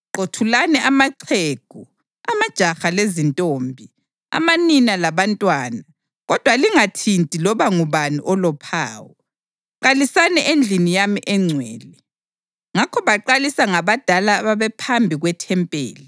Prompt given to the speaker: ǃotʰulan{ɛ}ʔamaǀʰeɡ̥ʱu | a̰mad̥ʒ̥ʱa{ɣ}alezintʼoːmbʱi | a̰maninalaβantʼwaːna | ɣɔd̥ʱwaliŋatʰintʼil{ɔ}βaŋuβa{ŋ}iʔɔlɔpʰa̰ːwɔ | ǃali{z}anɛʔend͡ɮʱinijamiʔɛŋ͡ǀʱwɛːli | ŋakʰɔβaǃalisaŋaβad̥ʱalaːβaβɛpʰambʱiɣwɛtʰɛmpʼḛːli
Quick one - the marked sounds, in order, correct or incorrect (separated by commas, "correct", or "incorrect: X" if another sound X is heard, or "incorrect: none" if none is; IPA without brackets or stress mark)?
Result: correct, incorrect: x, correct, incorrect: n, incorrect: s